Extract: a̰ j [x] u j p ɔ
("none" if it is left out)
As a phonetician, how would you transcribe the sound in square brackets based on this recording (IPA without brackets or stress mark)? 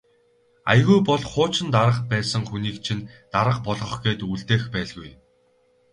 ɣ